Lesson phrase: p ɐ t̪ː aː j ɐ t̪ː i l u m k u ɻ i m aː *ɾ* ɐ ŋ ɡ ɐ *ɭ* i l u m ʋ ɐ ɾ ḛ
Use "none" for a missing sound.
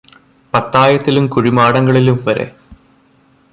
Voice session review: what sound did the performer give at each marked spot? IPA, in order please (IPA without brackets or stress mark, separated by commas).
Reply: ɽ, ɭ